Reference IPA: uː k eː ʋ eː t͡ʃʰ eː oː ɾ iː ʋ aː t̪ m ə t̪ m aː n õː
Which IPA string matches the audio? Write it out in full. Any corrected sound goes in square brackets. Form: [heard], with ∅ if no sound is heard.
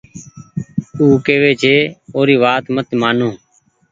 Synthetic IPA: uː k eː ʋ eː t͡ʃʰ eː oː ɾ iː ʋ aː t̪ m ə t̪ m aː n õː